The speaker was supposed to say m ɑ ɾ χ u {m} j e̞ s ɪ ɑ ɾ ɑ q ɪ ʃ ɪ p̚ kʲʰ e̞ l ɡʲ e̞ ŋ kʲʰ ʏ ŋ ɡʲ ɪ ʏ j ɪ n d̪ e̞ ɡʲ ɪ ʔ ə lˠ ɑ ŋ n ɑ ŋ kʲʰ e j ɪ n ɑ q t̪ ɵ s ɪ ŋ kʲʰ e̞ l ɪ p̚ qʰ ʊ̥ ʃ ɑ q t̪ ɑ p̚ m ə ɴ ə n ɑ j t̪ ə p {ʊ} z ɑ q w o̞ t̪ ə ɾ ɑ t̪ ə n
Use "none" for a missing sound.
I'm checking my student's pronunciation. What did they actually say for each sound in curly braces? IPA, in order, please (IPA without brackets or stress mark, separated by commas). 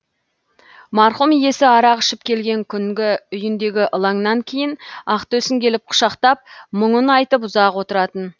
m, ʊ